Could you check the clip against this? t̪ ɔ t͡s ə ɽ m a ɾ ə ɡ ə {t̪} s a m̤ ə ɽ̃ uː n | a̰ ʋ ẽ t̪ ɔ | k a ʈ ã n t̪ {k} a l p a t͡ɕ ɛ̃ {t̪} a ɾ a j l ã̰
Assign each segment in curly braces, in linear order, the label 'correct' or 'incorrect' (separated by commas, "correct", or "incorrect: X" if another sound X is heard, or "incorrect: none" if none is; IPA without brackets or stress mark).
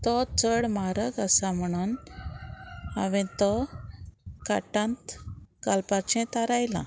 incorrect: none, correct, correct